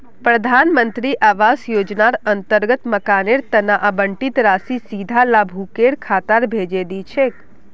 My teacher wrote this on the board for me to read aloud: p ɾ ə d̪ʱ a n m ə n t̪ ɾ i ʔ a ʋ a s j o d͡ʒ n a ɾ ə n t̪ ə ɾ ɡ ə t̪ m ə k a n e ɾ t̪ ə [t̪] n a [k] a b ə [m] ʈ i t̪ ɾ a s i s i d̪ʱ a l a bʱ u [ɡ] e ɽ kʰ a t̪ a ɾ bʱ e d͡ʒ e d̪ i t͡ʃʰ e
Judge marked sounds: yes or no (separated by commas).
no, no, no, no